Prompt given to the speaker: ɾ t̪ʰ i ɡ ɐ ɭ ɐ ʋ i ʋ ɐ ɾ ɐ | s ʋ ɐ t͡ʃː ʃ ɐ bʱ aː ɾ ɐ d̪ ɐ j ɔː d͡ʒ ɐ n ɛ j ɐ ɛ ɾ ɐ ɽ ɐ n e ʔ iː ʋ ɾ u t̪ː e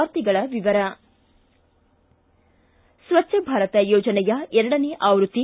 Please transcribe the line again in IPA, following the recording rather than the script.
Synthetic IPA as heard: ɾ t̪ i ɡ ɐ ɭ ɐ ʋ i ʋ ɐ ɾ ɐ | s ʋ ɐ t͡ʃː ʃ ɐ bʱ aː ɾ ɐ t̪ ɐ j ɔː d͡ʒ ɐ n ɛ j ɐ ɛ ɾ ɐ ɽ ɐ n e ʔ aː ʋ ɾ u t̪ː i